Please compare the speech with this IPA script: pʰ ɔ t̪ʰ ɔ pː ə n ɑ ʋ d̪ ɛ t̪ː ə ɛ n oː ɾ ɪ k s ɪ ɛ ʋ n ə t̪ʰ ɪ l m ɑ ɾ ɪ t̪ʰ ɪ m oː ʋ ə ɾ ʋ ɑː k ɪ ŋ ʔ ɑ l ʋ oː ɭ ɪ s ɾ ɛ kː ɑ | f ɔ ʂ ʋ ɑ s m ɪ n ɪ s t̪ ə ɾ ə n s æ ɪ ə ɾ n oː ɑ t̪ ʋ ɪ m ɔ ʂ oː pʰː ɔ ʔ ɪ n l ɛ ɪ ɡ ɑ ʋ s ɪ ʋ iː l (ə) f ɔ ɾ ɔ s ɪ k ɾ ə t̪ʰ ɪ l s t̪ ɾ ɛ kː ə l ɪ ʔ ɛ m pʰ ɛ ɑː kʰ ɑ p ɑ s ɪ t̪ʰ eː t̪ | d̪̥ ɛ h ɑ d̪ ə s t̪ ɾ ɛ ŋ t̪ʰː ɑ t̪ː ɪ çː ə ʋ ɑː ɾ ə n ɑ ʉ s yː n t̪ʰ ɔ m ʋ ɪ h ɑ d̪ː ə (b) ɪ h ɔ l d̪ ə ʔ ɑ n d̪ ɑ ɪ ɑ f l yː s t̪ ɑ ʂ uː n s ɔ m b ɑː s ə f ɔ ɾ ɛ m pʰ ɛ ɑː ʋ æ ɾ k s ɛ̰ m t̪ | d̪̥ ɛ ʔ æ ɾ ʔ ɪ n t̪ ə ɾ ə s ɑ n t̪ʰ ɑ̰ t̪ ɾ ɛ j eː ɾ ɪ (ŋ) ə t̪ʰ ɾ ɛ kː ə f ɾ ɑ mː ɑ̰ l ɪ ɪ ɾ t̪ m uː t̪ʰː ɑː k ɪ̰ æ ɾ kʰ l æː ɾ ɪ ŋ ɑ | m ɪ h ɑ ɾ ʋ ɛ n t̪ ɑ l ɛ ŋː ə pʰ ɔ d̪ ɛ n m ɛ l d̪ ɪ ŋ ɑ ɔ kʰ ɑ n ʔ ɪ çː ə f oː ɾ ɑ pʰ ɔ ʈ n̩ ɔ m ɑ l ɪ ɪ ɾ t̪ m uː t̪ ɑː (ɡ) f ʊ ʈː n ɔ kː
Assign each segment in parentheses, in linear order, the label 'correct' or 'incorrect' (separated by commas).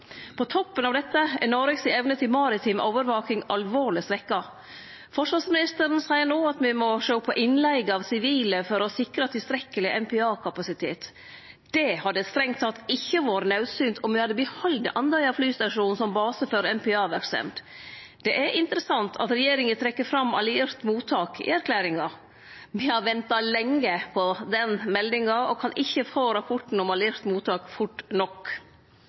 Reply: correct, correct, correct, incorrect